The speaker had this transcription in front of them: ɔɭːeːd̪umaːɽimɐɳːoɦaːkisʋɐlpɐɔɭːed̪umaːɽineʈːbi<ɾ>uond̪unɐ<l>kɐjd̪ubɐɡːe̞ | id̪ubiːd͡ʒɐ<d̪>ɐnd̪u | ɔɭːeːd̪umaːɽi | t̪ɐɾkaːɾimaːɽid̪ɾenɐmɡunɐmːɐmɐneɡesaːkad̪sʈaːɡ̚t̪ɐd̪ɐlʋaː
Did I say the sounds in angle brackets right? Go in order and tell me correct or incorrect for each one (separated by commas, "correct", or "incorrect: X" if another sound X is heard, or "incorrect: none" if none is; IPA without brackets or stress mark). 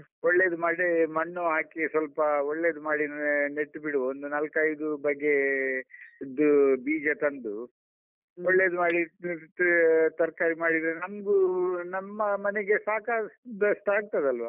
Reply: incorrect: ɽ, correct, incorrect: t̪